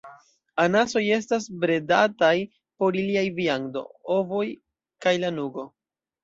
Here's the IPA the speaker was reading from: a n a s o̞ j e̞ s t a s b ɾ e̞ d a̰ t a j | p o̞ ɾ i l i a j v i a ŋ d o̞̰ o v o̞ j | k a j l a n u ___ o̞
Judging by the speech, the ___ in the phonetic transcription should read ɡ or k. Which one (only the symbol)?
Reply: ɡ